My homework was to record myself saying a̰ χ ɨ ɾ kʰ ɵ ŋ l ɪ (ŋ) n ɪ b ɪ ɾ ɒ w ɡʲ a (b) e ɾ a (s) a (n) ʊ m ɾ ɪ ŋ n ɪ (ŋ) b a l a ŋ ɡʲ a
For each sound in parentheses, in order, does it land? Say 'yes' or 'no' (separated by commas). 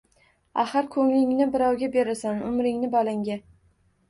yes, yes, yes, yes, no